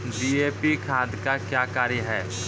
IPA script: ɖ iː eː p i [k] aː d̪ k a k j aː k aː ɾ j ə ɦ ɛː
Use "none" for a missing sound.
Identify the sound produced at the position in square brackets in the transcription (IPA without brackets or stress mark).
kʰ